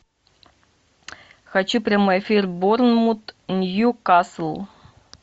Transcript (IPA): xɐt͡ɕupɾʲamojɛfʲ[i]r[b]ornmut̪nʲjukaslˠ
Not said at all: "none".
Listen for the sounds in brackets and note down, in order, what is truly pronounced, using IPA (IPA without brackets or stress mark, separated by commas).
i, b